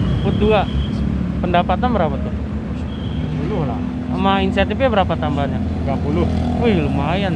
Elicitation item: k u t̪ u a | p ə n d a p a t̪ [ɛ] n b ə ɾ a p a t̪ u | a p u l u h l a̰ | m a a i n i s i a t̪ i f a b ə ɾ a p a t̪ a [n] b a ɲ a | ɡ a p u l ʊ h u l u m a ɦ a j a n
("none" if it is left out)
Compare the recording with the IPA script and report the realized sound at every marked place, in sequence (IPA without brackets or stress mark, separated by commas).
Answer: a, m